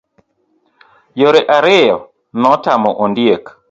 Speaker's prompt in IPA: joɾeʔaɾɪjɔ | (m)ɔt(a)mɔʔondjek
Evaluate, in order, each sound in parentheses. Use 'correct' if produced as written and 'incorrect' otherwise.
incorrect: n, correct

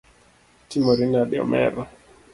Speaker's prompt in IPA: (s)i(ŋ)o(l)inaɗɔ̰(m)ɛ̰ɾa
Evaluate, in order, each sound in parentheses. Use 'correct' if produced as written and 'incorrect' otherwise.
incorrect: t, incorrect: m, incorrect: ɾ, correct

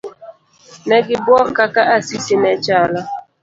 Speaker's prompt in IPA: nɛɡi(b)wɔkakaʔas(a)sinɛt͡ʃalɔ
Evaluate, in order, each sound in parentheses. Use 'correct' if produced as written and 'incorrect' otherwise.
correct, incorrect: i

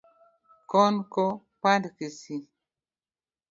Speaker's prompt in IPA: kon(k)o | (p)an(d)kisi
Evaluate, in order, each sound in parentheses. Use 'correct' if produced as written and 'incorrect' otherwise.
correct, correct, correct

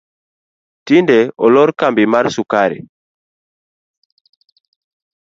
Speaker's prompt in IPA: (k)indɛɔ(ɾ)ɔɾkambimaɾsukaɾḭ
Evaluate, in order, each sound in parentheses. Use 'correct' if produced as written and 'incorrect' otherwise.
incorrect: t, incorrect: l

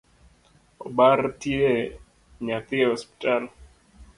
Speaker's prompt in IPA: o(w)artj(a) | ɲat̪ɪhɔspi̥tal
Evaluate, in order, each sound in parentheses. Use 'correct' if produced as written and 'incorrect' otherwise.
incorrect: b, incorrect: e

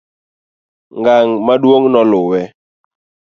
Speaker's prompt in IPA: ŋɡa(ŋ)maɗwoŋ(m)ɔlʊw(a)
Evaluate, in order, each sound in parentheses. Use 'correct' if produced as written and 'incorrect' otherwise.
correct, incorrect: n, incorrect: ɛ

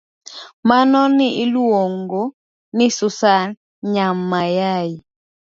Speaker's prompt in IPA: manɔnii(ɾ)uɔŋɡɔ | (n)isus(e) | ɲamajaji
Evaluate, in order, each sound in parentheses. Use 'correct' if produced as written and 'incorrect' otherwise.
incorrect: l, correct, incorrect: a

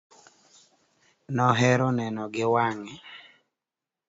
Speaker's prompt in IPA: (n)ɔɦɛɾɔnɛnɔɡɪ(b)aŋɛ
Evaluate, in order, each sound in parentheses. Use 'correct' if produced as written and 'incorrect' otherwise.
correct, incorrect: w

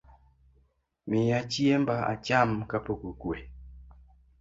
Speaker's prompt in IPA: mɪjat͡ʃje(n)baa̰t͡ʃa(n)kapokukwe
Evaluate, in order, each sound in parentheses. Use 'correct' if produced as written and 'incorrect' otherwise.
incorrect: m, incorrect: m

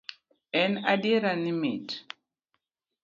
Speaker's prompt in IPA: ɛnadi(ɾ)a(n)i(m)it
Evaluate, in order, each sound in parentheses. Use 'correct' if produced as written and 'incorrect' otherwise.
correct, correct, correct

